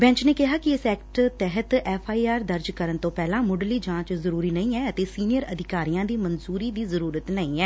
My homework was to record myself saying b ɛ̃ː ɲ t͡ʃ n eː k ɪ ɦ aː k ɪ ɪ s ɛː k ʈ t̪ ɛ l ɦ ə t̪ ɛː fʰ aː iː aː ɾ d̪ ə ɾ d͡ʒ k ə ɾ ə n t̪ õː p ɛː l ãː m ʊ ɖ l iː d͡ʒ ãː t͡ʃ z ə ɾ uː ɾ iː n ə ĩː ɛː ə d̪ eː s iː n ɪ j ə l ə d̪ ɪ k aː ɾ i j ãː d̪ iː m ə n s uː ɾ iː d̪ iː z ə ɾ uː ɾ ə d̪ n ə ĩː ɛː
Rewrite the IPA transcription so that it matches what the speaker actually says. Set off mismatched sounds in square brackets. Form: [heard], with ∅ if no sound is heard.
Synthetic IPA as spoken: b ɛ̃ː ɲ t͡ʃ n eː k ɪ ɦ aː k ɪ ɪ s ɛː k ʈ t̪ ɛ [∅] ɦ ə t̪ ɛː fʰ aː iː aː ɾ d̪ ə ɾ d͡ʒ k ə ɾ ə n t̪ õː p ɛː l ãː m ʊ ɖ l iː d͡ʒ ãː t͡ʃ z ə ɾ uː ɾ iː n ə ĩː ɛː ə [t̪] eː s iː n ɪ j ə [ɾ] ə d̪ ɪ k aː ɾ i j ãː d̪ iː m ə n [z] uː ɾ iː d̪ iː z ə ɾ uː ɾ ə [t̪] n ə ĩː ɛː